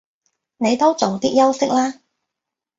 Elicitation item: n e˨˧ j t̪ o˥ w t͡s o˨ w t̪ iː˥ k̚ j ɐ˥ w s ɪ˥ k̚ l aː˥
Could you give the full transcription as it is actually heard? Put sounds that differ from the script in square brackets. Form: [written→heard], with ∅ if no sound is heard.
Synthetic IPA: n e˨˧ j t̪ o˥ w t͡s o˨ w t̪ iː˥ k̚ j ɐ˥ w s ɪ˥ k̚ l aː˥